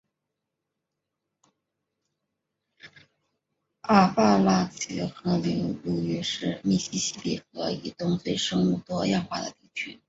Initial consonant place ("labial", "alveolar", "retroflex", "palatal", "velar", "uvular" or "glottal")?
labial